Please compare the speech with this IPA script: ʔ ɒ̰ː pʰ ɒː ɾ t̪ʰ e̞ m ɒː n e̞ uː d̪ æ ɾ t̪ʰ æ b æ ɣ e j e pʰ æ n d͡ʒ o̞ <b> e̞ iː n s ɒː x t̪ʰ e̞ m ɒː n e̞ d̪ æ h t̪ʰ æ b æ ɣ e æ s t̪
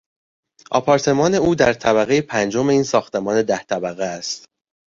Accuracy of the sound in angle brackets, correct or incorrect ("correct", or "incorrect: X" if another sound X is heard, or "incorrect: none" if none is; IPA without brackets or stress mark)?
incorrect: m